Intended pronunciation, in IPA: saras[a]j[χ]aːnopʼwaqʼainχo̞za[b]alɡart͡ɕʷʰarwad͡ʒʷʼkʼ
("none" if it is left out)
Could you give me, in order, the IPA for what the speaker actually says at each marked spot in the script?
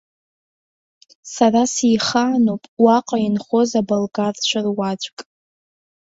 i, χ, b

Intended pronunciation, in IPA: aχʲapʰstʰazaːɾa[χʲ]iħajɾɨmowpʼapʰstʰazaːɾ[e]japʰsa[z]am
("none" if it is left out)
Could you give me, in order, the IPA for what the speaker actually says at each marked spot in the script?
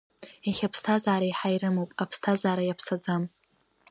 none, a, d͡z

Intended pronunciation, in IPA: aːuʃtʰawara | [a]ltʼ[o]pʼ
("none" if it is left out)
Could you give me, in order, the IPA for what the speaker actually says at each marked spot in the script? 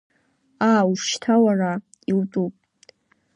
i, u

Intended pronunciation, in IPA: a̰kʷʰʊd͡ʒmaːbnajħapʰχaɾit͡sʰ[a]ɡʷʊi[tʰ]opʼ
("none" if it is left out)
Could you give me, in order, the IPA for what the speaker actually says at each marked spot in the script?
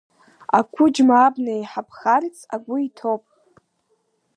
a, tʰ

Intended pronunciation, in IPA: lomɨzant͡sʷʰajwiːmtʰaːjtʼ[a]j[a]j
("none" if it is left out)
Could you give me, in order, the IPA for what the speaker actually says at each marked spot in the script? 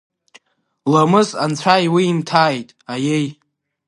a, e

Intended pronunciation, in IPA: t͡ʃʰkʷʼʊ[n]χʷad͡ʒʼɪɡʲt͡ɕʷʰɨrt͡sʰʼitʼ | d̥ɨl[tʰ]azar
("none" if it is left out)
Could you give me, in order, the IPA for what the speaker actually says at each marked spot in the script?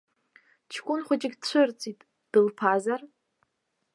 n, pʰ

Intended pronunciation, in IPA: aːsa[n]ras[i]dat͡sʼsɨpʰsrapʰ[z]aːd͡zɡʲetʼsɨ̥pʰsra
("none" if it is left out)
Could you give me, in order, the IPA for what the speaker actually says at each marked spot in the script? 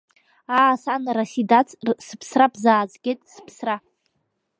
n, i, z

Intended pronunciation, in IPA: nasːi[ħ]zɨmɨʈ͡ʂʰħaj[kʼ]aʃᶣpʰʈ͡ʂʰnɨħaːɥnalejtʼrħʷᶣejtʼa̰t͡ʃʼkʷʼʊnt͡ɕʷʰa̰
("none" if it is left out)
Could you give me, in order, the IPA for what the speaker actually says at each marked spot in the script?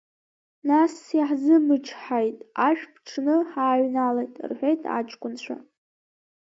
ħ, tʼ

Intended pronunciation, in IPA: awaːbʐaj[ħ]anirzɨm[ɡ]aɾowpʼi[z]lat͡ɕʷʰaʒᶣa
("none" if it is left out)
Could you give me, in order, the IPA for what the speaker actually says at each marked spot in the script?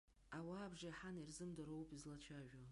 ħ, d, z

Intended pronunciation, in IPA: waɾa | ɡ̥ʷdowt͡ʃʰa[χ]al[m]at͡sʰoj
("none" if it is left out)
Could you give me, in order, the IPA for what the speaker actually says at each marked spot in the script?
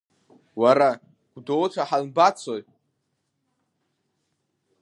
ħ, b

